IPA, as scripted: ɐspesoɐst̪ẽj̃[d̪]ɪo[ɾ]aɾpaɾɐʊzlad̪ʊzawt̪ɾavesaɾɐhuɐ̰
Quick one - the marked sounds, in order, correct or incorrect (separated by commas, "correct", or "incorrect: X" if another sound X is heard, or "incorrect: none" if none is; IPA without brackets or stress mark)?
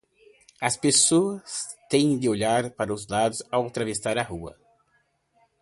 correct, incorrect: ʎ